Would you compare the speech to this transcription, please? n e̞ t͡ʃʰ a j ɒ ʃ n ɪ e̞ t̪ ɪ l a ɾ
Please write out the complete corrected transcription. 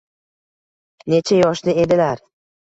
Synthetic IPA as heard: n e̞ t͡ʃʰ a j ɒ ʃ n ɪ e̞ d̪ ɪ l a ɾ